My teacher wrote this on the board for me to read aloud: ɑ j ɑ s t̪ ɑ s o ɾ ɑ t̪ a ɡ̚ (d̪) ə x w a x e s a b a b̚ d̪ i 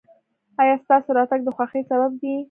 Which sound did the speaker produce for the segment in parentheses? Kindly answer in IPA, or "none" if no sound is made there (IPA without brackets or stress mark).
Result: d̪